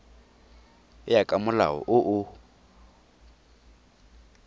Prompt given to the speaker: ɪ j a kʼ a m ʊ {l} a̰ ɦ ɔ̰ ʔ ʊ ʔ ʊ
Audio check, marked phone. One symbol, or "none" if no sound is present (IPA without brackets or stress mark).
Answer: l